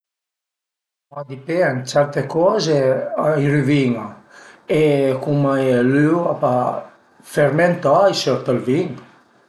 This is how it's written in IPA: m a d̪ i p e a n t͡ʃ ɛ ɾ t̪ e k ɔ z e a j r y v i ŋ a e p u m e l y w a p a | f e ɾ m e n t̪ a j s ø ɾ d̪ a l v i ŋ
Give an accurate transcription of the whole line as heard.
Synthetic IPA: m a d̪ i p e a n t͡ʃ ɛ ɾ t̪ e k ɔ z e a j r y v i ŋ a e k u m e l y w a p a | f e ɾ m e n t̪ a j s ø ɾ t̪ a l v i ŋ

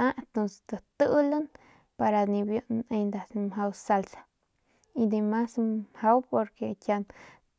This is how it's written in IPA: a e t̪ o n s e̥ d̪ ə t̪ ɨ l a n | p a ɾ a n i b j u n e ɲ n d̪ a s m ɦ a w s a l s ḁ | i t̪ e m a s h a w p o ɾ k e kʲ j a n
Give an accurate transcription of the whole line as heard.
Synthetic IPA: a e t̪ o n s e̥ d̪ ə t̪ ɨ l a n | p a ɾ a n i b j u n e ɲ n d̪ a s m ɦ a w s a l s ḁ | i d̪ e m a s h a w p o ɾ k e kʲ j a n

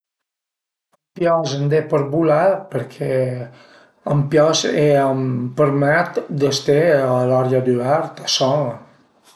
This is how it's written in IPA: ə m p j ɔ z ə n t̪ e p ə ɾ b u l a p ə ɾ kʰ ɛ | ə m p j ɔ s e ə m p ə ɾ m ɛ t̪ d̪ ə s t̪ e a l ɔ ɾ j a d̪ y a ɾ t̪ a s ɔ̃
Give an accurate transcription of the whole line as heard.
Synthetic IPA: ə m p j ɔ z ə n d̪ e p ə ɾ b u l a p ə ɾ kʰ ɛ | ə m p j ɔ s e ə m p ə ɾ m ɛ t̪ d̪ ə s t̪ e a l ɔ ɾ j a d̪ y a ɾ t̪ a s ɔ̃

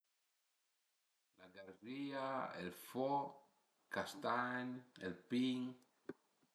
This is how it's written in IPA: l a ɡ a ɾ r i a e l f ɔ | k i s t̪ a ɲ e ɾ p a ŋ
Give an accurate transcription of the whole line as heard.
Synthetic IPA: l a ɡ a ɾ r i a e l f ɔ | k a s t̪ a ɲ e l p i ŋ

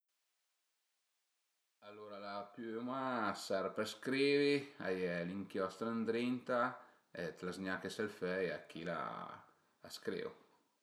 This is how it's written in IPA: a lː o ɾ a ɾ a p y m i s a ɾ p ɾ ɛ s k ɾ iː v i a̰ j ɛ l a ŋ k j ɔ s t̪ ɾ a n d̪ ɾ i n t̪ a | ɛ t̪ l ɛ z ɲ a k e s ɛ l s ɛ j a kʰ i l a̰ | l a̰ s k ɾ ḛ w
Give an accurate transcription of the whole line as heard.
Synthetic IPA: a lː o ɾ a l a p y m a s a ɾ p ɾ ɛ s k ɾ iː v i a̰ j ɛ l i ŋ k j ɔ s t̪ ɾ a n d̪ ɾ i n t̪ a | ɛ t̪ l a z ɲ a k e s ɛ l f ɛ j a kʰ i l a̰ | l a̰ s k ɾ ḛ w

